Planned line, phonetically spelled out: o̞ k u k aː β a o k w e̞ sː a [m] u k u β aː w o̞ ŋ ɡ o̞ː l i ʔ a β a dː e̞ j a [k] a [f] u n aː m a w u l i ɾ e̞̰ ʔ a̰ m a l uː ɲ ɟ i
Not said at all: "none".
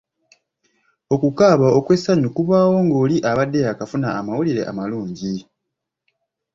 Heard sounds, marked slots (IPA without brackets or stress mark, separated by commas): ɲ, k, f